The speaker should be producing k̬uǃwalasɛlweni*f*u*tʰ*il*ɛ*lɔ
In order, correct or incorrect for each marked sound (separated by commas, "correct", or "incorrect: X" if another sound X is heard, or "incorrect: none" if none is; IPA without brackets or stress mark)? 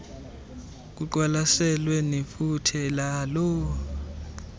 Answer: correct, correct, incorrect: a